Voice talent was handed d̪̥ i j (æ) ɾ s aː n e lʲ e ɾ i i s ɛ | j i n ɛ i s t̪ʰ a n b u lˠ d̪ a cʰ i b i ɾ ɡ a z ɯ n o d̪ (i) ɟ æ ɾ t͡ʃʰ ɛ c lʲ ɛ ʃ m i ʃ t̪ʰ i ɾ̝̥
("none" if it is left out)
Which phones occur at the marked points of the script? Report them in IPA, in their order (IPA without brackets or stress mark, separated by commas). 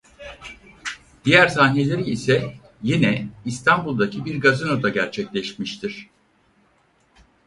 æ, a